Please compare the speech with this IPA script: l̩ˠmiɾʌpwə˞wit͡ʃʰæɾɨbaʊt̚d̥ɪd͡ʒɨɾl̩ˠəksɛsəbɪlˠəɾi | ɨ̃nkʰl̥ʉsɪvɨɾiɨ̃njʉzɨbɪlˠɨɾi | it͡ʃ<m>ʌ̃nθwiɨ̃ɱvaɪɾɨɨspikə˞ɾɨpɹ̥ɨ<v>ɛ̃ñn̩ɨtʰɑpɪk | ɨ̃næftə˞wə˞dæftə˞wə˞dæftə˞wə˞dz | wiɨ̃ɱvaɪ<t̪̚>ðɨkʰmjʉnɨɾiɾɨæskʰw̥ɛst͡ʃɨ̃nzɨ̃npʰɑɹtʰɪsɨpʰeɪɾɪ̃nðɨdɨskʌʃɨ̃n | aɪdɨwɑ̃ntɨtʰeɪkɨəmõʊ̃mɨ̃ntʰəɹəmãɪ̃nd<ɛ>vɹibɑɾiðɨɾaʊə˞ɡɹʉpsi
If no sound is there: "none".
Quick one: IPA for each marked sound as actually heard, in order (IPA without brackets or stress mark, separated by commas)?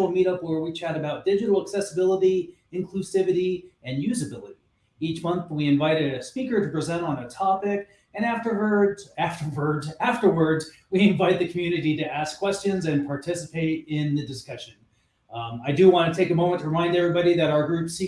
m, z, t̪̚, ɛ